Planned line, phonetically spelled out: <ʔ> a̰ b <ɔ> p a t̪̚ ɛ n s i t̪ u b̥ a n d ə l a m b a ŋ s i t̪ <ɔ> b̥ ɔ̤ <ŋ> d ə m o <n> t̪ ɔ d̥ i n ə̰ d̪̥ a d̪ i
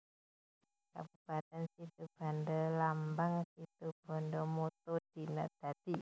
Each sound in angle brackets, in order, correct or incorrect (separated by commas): incorrect, incorrect, incorrect, incorrect, incorrect